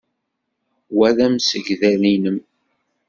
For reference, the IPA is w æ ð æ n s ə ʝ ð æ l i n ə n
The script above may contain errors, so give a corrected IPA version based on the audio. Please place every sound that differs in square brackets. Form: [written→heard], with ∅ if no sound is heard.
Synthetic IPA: w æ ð æ [n→m] s ə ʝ ð æ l i n ə [n→m]